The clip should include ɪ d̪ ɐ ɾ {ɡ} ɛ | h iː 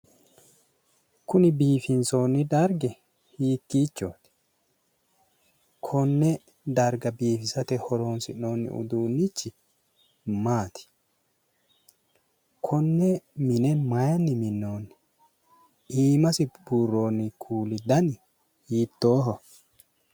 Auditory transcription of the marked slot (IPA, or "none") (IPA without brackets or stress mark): ɡ